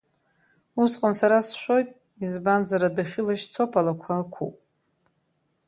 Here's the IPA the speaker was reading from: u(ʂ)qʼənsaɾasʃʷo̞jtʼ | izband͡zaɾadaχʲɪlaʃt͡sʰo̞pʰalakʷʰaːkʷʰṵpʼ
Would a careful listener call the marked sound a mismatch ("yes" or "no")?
yes